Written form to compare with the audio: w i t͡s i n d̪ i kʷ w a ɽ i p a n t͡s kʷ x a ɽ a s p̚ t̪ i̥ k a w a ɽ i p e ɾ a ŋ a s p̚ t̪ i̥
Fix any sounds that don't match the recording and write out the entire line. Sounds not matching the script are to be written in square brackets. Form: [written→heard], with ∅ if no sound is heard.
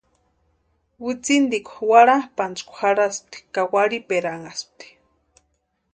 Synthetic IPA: w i t͡s i n d̪ i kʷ w a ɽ [i→a] p a n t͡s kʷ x a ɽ a s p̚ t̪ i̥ k a w a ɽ i p e ɾ a ŋ a s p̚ t̪ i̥